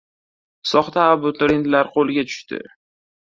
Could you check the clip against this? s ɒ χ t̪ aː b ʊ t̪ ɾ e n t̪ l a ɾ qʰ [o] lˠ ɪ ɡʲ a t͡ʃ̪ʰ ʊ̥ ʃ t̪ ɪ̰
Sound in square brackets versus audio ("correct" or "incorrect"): correct